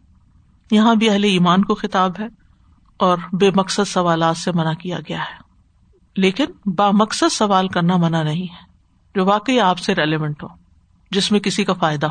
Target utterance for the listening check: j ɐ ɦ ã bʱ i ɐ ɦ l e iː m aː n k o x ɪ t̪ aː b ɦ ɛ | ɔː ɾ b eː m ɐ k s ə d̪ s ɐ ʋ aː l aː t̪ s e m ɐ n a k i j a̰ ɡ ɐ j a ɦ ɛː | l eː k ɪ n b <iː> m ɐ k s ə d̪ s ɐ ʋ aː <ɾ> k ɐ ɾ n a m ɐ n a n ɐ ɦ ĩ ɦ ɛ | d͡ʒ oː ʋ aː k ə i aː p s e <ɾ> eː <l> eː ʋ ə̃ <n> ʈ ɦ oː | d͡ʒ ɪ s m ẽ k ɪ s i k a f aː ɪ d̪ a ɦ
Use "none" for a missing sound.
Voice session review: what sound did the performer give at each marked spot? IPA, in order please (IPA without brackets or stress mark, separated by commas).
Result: aː, l, ɾ, l, ɳ